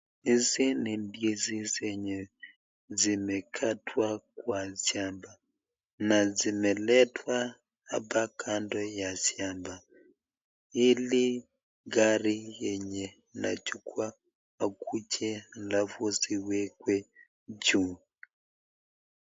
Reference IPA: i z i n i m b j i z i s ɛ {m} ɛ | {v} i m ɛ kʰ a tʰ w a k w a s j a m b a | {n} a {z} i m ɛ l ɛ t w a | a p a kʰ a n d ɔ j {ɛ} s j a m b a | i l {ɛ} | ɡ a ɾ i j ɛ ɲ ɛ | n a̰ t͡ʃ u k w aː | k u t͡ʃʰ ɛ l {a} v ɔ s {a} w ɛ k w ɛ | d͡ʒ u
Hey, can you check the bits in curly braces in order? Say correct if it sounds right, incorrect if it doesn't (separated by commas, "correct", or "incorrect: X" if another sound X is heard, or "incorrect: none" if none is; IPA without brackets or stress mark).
incorrect: ɲ, incorrect: z, correct, correct, incorrect: a, incorrect: i, correct, incorrect: i